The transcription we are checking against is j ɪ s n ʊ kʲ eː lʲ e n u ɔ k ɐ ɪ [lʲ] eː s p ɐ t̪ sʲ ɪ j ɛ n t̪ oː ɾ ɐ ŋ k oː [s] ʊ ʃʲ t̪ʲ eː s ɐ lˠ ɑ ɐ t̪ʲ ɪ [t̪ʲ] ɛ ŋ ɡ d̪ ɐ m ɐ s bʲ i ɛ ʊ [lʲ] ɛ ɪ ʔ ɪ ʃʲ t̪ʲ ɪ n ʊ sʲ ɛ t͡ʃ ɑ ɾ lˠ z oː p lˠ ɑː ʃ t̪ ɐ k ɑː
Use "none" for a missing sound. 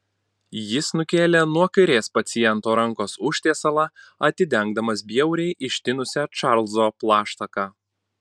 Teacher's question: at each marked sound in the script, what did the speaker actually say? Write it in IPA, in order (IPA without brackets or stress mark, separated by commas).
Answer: ɾʲ, s, d̪ʲ, ɾʲ